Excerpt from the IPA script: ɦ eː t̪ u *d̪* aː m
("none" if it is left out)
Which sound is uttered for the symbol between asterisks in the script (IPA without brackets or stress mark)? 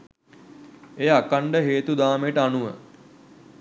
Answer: d̪